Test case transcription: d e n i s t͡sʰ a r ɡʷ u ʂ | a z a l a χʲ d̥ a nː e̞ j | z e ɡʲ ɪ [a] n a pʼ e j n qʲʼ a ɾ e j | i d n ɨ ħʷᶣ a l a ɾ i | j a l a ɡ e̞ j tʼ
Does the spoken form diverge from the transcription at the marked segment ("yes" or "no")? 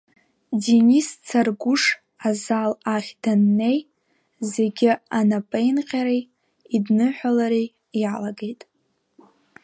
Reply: no